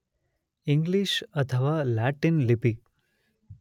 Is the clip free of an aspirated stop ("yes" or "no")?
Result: no